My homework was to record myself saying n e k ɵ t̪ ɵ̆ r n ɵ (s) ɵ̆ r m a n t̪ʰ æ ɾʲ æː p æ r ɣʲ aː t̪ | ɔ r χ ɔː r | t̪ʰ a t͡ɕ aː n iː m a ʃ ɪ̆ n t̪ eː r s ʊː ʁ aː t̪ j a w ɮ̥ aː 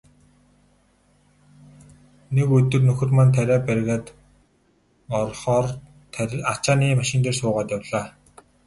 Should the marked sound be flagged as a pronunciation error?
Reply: yes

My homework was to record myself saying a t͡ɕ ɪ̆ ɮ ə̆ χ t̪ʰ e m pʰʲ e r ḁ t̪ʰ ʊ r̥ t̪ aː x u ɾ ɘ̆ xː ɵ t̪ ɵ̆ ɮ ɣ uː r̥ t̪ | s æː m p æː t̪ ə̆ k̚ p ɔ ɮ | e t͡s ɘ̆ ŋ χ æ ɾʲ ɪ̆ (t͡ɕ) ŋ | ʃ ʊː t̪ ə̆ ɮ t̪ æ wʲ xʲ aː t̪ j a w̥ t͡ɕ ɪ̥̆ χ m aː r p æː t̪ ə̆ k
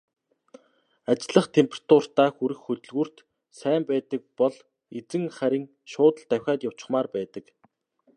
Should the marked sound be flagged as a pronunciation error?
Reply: yes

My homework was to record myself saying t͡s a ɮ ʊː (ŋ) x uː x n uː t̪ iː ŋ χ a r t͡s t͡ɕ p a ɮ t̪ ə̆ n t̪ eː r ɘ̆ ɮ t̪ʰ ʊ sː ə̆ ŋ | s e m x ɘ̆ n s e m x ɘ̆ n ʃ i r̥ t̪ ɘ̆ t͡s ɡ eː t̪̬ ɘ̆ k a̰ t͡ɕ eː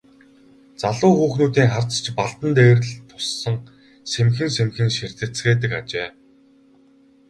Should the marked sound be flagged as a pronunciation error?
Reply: yes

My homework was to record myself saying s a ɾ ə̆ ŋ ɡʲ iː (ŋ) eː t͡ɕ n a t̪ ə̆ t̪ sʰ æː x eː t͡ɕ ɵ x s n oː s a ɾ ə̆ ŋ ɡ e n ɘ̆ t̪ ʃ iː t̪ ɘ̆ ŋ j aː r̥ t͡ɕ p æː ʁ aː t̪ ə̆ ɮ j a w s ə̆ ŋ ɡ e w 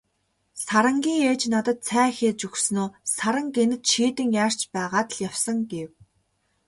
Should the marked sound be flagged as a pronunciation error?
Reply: no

